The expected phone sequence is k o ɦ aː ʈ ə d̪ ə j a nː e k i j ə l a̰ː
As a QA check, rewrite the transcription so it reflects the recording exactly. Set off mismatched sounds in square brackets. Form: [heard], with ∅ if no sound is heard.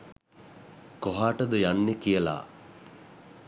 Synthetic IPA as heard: k o ɦ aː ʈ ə d̪ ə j a nː e k i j ə l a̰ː